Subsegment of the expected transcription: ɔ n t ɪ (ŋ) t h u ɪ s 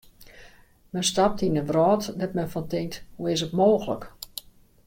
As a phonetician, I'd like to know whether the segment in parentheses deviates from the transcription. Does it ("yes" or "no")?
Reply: no